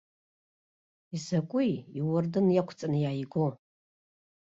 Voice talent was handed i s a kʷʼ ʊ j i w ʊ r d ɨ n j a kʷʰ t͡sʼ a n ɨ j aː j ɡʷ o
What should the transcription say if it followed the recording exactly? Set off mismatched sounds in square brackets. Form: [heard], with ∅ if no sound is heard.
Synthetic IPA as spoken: i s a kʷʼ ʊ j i w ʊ r d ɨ n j a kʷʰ t͡sʼ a n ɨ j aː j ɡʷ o